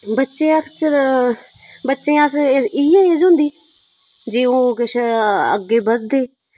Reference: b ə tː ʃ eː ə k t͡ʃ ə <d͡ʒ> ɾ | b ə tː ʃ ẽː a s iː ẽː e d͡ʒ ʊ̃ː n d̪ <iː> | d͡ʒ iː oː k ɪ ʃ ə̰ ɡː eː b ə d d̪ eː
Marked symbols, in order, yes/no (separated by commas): no, yes